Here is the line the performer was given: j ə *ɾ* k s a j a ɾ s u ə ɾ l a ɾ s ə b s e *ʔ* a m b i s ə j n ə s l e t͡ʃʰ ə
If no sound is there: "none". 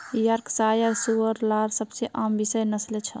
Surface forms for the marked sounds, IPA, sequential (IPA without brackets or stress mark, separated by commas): ɾ, ʔ